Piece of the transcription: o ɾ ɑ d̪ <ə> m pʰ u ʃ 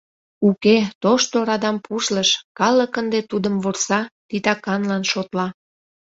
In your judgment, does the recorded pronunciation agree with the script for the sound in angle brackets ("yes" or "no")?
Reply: no